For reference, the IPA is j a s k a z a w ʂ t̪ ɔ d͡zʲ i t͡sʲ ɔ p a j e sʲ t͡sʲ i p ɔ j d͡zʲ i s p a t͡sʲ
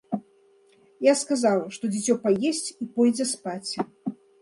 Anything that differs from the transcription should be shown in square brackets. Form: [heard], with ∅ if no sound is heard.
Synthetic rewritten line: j a s k a z a w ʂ t̪ ɔ d͡zʲ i t͡sʲ ɔ p a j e sʲ t͡sʲ i p ɔ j d͡zʲ [ɛ] s p a t͡sʲ